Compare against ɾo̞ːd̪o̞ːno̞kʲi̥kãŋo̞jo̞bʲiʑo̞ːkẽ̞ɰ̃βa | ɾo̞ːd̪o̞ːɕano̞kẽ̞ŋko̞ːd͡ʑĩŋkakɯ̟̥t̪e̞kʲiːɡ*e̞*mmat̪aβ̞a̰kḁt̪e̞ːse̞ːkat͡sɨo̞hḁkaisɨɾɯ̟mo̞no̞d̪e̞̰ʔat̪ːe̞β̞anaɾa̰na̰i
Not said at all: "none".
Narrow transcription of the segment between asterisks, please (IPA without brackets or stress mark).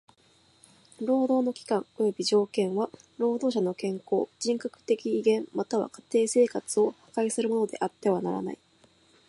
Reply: ẽ̞